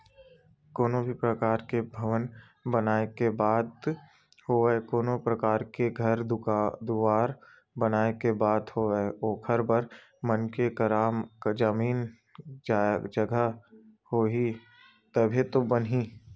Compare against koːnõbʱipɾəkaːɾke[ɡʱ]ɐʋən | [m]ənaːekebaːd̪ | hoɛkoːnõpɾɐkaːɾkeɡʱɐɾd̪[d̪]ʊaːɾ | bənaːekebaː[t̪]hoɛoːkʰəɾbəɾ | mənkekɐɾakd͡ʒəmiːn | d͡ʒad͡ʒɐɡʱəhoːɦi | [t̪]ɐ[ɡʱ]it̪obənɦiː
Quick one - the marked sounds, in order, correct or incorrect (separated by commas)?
incorrect, incorrect, correct, incorrect, correct, incorrect